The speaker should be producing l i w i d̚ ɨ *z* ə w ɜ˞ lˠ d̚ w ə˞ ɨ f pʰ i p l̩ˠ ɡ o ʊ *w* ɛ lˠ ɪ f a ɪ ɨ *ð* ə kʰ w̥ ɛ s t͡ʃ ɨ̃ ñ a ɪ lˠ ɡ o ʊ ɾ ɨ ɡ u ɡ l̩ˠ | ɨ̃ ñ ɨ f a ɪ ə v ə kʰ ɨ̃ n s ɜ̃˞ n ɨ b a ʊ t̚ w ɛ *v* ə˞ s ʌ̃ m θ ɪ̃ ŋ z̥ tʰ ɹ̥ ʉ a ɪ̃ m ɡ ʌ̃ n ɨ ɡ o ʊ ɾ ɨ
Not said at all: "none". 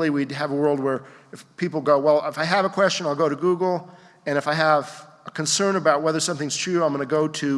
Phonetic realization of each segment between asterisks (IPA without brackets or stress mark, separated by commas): v, w, v, ð